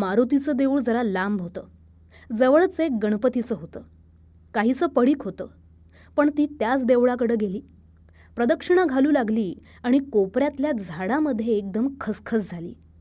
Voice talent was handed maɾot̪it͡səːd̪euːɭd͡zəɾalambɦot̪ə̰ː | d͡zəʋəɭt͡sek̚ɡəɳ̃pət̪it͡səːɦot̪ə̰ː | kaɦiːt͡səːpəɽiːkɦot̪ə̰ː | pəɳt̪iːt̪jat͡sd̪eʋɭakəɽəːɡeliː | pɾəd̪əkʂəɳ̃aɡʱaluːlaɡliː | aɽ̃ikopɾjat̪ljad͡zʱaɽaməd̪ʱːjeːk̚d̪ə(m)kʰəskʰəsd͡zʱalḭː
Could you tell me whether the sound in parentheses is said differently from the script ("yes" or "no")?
no